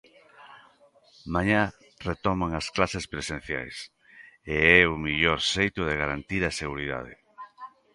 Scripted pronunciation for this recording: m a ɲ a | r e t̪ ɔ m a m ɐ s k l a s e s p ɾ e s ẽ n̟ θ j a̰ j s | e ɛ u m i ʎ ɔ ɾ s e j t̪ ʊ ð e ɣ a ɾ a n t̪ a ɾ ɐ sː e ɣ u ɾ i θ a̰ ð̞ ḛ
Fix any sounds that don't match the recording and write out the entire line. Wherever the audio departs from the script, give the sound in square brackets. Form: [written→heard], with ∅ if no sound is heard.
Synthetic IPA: m a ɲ a | r e t̪ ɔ m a [m→ŋ] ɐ s k l a s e s p ɾ e s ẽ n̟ θ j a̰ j s | e ɛ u m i ʎ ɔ ɾ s e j t̪ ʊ ð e ɣ a ɾ a n t̪ [a→i] ɾ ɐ [sː→s] e ɣ u ɾ i [θ→ð] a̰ ð̞ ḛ